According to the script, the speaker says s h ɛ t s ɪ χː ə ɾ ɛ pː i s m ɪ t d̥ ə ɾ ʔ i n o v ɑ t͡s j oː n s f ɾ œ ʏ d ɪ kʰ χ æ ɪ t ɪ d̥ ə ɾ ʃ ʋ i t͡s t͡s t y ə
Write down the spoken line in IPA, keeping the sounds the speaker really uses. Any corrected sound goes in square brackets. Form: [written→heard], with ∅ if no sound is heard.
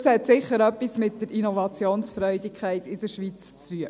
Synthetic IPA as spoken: s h ɛ t s ɪ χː ə ɾ [ɛ→œ] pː i s m ɪ t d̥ ə ɾ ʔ i n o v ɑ t͡s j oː n s f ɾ œ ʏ d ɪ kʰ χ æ ɪ t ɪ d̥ ə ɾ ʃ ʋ i t͡s t͡s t y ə